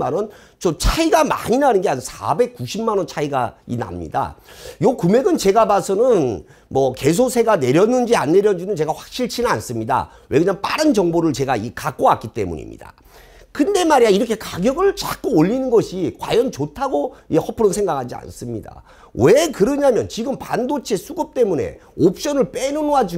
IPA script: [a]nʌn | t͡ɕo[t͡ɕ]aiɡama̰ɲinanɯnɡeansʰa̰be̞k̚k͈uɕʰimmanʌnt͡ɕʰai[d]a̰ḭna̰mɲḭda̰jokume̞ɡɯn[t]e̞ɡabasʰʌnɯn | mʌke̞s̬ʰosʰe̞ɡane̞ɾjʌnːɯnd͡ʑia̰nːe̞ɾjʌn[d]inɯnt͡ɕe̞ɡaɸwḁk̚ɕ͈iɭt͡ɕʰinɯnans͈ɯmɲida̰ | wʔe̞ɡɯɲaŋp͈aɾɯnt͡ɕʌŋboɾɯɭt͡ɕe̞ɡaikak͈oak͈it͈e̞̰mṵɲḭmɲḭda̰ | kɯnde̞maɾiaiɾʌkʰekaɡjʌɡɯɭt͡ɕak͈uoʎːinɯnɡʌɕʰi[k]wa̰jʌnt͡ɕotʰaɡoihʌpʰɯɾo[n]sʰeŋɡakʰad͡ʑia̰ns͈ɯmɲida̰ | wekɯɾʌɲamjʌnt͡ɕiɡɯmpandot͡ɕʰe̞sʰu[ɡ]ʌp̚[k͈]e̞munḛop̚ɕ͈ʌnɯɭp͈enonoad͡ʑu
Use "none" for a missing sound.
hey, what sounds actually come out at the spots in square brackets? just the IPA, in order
a, t͡ɕʰ, ɡ, t͡ɕ, d͡ʑ, k, n, ɡ, t͈

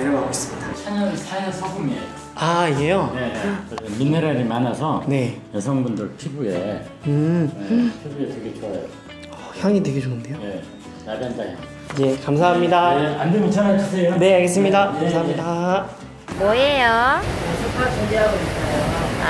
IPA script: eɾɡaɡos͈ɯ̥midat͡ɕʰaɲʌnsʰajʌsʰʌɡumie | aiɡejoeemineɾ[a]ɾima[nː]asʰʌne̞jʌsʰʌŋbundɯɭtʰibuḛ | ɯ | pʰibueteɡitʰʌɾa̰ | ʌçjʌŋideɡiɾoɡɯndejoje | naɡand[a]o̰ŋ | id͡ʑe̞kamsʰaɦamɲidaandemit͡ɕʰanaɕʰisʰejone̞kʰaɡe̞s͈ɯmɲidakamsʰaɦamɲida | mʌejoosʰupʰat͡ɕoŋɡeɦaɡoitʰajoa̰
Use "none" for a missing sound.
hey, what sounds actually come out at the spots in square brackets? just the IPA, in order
a, n, a

